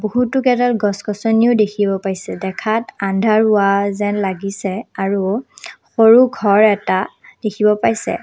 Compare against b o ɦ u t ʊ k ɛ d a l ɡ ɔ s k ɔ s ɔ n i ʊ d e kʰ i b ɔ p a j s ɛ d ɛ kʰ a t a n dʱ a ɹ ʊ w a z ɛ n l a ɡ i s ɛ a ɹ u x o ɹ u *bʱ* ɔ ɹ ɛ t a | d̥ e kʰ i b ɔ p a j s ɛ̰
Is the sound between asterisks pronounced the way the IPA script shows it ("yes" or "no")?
no